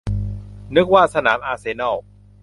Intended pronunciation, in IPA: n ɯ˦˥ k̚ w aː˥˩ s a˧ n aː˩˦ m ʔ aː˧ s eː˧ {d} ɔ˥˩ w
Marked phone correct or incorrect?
incorrect